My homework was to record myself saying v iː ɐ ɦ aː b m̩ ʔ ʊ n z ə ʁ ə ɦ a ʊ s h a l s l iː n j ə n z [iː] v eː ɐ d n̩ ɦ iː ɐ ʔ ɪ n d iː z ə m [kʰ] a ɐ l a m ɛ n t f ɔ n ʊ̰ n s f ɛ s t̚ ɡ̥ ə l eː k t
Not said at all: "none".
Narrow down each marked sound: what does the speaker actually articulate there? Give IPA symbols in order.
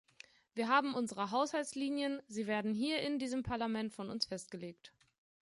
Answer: iː, pʰ

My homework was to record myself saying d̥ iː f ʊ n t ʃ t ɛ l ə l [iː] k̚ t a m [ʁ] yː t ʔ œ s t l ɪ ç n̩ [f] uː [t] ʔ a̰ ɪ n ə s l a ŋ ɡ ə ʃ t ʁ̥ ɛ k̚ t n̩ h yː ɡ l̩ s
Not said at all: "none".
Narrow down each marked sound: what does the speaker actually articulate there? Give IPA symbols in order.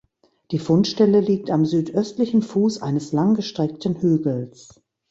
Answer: iː, z, f, s

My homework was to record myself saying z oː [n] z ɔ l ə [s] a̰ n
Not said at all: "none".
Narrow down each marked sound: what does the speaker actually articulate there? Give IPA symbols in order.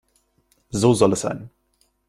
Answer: none, s

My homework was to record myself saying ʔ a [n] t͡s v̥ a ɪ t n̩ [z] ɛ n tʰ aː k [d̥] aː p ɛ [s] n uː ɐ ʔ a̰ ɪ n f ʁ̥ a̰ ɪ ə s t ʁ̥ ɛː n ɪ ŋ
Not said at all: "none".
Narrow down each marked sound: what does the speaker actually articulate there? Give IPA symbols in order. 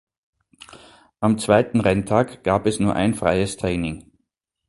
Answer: m, ʁ, ɡ̥, s

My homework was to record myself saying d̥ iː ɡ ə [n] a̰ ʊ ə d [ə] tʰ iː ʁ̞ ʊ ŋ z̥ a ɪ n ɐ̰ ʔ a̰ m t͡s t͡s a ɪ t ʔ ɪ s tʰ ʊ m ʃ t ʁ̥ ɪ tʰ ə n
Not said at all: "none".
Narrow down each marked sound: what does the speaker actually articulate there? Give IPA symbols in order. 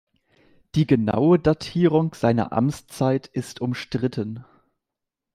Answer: n, a

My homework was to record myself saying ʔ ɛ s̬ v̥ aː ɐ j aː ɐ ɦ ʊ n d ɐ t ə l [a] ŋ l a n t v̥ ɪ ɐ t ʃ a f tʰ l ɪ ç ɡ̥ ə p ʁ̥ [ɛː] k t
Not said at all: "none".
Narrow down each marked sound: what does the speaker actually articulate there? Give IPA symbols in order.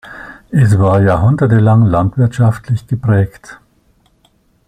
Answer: a, ɛː

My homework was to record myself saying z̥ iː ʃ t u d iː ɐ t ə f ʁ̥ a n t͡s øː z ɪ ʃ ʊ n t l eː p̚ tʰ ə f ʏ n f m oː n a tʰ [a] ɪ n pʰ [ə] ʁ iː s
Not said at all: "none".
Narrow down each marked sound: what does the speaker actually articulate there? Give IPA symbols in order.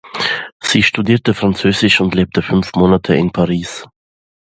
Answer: ə, a

